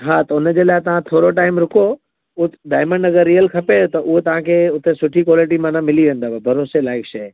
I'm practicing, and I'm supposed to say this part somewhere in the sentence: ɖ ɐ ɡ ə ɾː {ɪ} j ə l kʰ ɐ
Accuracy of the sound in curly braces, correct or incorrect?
incorrect